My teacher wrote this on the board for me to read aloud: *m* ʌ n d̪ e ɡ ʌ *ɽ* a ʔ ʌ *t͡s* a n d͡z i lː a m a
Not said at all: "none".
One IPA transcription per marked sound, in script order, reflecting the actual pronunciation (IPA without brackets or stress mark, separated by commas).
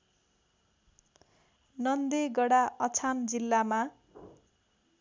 n, ɽ, t͡sʰ